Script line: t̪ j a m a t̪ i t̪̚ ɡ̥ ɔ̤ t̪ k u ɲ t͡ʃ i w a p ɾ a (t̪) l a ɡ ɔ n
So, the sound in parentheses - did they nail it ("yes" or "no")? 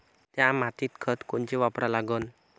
no